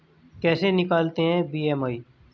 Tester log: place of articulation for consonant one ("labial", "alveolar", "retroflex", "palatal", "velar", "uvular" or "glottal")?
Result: velar